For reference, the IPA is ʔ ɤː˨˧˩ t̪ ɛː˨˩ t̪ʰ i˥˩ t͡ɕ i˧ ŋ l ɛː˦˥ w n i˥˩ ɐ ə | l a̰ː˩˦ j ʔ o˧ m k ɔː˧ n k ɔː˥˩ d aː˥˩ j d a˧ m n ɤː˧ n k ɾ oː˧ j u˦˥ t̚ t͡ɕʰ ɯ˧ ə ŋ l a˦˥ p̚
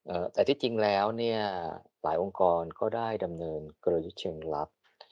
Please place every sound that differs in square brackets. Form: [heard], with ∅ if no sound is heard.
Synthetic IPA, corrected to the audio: ʔ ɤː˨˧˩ t̪ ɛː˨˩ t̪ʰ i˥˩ t͡ɕ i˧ ŋ l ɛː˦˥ w n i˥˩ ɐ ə | l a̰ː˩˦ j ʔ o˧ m k ɔː˧ n k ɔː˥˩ d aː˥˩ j d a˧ m n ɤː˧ n k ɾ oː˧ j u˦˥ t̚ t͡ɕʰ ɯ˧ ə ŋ l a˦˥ p̚